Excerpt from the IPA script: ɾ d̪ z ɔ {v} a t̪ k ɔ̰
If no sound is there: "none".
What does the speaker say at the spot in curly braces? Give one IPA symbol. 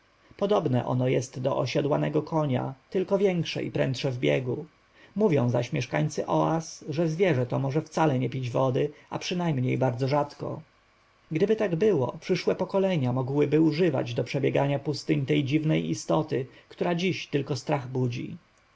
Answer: ʐ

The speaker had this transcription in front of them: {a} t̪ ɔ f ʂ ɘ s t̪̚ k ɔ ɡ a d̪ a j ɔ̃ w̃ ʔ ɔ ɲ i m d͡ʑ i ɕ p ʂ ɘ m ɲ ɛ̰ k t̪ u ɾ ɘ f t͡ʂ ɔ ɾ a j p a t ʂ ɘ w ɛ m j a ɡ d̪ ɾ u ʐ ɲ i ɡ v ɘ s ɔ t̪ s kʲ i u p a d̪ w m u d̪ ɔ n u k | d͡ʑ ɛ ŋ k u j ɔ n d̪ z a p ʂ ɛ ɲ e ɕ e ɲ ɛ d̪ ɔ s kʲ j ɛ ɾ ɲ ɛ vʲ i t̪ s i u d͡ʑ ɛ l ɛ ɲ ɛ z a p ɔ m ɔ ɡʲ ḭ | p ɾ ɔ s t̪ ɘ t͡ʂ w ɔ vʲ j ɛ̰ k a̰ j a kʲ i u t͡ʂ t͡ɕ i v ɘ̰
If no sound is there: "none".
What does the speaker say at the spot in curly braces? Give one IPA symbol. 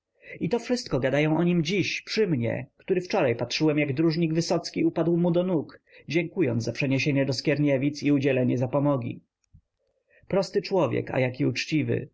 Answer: i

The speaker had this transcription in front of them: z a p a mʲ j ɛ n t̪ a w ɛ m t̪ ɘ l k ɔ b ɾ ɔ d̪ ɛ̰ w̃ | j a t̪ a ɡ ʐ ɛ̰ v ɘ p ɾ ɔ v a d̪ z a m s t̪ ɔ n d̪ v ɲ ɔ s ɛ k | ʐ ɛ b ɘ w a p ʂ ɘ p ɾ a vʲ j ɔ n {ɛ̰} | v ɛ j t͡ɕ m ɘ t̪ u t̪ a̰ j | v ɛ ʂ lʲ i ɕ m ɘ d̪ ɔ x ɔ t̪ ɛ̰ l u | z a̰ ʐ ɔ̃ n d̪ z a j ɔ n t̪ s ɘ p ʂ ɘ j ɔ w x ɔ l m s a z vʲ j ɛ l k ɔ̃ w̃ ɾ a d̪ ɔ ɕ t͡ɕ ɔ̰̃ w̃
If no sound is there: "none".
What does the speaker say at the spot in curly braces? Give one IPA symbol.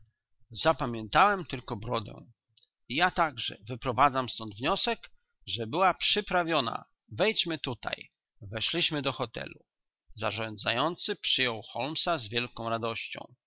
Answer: a̰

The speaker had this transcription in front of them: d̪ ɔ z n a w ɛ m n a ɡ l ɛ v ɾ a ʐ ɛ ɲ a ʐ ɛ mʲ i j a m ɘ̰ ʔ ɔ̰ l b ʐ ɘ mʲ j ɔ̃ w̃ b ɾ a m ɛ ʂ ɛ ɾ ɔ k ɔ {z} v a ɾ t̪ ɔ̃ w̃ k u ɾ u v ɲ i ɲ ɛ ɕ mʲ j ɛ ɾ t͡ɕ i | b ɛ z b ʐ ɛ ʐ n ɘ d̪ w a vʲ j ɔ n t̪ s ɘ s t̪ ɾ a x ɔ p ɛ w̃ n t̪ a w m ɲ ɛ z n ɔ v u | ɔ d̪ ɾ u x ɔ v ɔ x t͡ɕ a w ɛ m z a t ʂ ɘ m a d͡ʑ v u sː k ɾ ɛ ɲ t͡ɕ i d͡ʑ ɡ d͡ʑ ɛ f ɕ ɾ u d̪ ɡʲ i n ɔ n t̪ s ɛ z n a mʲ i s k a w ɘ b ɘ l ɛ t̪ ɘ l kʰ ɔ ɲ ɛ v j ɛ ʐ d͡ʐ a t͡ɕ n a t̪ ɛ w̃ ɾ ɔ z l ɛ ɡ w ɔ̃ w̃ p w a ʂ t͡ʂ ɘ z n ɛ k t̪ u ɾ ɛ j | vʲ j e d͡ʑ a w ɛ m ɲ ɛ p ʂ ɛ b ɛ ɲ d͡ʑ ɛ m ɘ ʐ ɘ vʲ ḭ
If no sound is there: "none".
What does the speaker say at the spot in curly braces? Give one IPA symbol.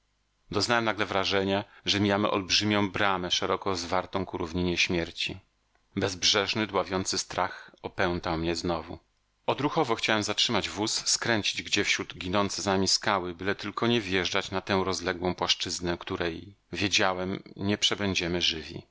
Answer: z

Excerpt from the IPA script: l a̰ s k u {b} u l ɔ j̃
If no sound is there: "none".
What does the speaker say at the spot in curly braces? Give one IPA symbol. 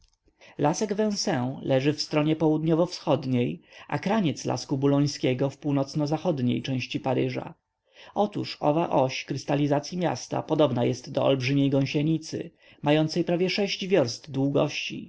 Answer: b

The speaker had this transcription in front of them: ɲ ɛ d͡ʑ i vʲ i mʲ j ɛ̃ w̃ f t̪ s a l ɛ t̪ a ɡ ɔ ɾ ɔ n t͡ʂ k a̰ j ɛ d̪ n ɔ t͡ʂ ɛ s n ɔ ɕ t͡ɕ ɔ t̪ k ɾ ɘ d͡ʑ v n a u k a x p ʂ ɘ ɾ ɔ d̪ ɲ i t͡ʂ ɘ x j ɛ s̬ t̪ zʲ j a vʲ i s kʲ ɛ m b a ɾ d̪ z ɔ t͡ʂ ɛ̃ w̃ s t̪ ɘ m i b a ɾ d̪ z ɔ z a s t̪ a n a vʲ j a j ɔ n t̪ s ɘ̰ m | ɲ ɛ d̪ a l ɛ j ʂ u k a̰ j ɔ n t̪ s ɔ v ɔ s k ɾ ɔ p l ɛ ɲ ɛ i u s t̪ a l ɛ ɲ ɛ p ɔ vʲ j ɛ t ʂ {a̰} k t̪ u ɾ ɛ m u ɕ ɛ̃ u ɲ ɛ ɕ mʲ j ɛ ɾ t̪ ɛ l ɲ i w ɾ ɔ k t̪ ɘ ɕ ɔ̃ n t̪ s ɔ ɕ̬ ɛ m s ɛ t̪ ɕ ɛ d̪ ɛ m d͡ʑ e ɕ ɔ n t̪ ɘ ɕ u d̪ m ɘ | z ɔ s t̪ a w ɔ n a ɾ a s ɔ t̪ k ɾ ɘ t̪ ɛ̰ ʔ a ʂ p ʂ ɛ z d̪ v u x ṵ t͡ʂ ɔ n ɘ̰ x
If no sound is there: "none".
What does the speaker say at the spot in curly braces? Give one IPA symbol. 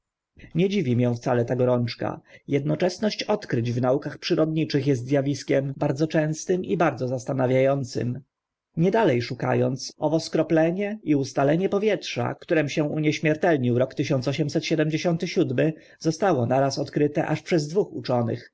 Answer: a̰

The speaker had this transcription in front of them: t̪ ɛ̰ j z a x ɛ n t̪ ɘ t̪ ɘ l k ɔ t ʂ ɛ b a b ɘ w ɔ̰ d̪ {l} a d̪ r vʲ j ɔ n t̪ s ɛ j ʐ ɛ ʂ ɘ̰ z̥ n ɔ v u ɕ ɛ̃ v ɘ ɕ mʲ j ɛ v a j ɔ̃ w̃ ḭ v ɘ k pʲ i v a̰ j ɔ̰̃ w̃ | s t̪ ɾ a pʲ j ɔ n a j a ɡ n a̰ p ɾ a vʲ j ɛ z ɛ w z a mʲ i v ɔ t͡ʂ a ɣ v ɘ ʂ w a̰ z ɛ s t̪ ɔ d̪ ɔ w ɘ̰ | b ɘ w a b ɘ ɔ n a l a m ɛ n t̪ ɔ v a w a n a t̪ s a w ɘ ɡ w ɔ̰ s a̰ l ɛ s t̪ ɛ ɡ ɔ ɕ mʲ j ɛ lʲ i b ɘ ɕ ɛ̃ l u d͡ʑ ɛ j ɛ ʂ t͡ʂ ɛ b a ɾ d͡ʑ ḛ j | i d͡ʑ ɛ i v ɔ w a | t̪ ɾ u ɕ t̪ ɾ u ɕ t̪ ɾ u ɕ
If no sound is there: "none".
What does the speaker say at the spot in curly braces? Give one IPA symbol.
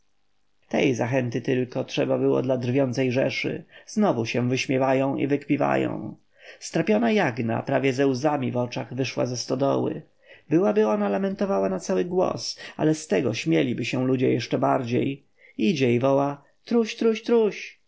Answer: l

